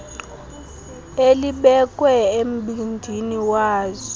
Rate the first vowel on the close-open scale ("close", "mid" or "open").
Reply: mid